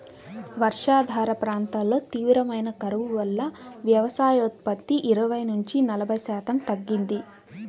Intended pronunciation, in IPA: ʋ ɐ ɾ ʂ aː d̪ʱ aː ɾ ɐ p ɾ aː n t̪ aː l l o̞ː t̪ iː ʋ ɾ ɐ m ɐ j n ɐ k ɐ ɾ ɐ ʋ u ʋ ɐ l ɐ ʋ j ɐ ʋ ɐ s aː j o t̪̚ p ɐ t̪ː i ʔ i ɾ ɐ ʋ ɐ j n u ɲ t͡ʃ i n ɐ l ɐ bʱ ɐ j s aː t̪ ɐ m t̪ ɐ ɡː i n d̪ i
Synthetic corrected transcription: ʋ ɐ ɾ ʂ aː d̪ʱ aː ɾ ɐ p ɾ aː n t̪ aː l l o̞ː t̪ iː ʋ ɾ ɐ m ɐ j n ɐ k ɐ ɾ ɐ ʋ u ʋ ɐ lː ɐ ʋ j ɐ ʋ ɐ s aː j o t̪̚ p ɐ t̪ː i ʔ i ɾ ɐ ʋ ɐ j n u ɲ t͡ʃ i n ɐ l ɐ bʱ ɐ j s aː t̪ ɐ m t̪ ɐ ɡː i n d̪ i